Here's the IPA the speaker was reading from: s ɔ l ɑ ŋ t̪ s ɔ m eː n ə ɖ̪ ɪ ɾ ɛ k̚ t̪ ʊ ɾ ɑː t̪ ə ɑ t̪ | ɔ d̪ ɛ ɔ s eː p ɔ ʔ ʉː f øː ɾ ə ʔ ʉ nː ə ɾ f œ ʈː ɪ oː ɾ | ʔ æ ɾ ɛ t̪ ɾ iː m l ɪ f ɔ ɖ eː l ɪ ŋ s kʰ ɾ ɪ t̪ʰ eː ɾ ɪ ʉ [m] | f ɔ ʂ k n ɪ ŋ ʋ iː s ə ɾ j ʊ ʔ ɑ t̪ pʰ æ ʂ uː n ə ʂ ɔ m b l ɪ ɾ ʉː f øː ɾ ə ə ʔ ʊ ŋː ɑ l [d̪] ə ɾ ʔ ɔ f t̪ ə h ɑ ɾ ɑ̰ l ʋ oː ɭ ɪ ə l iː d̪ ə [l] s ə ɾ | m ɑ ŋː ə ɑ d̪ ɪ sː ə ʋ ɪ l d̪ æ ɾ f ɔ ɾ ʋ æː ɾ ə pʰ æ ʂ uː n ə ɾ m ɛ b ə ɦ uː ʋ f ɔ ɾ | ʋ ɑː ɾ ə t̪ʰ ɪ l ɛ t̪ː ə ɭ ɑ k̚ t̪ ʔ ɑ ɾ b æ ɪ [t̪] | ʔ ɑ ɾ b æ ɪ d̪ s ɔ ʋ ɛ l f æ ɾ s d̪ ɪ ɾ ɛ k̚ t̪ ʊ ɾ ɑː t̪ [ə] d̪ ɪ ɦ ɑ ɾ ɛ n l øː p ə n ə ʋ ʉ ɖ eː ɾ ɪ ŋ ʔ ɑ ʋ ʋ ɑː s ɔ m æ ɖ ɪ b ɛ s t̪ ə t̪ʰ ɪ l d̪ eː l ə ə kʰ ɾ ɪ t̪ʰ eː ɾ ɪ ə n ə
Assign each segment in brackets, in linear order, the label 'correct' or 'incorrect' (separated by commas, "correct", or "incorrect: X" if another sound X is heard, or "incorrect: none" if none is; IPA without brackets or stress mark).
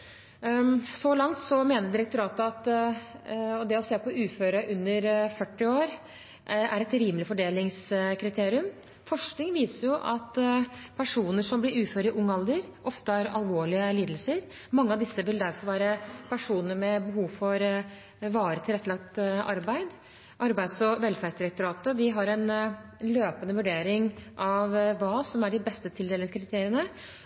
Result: correct, correct, correct, incorrect: d̪, correct